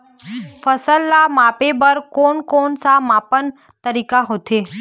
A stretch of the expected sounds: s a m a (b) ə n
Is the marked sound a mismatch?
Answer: yes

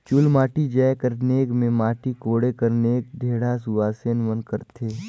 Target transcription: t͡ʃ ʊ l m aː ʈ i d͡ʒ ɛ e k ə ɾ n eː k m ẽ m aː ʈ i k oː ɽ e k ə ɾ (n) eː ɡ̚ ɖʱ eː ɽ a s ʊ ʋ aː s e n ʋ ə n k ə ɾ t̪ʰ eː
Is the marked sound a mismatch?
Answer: no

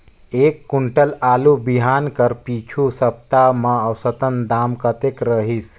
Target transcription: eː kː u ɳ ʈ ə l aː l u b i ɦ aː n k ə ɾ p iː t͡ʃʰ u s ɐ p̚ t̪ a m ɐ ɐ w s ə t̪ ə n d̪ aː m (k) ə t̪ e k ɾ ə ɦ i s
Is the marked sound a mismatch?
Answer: no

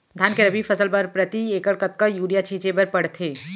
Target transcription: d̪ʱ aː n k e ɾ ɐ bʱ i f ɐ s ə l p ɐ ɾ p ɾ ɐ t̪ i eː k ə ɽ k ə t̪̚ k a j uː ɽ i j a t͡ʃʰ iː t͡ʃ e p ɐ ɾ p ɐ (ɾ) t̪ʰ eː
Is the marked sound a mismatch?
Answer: yes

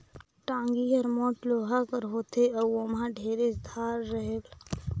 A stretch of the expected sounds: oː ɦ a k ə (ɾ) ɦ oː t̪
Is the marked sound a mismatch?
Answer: no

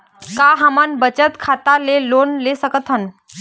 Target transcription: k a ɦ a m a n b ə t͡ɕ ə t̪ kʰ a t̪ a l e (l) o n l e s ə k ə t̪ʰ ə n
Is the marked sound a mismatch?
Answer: no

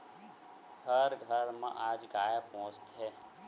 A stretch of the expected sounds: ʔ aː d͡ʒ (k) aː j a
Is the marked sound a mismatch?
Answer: yes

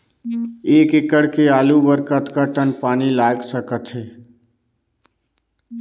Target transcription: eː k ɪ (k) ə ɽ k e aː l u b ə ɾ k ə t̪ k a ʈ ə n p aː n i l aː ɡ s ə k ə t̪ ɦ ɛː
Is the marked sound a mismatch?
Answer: no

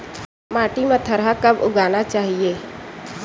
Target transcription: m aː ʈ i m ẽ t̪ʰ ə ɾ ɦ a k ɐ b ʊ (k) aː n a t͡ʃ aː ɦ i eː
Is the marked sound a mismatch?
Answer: yes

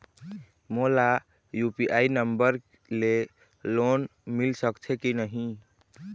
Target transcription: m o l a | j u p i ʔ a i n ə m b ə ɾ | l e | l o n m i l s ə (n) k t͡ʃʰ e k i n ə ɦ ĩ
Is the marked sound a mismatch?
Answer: yes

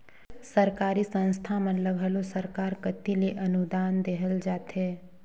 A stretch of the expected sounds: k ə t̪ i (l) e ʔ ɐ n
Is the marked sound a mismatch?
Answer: no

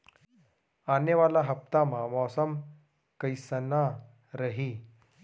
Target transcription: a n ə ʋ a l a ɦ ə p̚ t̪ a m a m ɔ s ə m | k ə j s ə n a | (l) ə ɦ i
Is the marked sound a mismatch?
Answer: yes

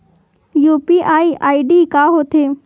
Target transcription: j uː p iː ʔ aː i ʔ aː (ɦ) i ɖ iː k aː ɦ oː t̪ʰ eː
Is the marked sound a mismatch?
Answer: yes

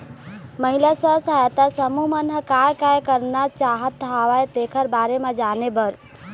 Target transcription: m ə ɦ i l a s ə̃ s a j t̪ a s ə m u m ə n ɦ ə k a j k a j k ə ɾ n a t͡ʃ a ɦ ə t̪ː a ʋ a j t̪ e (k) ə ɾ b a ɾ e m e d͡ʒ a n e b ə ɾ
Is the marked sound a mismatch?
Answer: yes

